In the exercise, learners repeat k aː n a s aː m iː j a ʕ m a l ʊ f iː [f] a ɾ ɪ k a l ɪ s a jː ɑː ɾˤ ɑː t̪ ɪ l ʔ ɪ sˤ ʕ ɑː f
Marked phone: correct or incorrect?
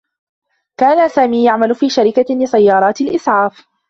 incorrect: ʃ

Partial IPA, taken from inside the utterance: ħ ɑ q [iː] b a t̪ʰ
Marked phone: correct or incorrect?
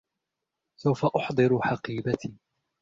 correct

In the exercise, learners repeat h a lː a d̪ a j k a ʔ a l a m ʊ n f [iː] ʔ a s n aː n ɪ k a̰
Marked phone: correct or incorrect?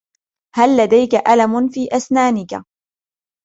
correct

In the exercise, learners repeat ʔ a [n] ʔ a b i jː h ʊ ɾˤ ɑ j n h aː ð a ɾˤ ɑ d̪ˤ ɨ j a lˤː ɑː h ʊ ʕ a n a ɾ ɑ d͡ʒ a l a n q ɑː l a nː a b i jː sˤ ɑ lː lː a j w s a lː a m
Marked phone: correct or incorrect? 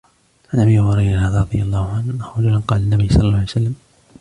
correct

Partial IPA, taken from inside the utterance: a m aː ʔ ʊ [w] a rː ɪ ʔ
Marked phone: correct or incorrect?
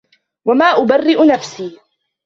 incorrect: b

